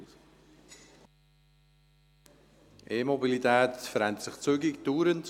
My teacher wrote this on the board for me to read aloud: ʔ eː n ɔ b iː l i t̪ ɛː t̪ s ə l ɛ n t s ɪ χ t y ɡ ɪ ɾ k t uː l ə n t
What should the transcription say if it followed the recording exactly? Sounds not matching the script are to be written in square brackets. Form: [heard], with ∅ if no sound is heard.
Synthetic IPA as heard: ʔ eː [m] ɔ b [i] l i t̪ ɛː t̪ [f] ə [ɾ] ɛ n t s ɪ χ [t͡s] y ɡ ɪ [∅] k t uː [ɾ] ə n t